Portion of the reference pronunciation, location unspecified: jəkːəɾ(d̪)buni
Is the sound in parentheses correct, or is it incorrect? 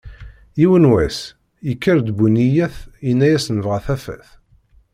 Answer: correct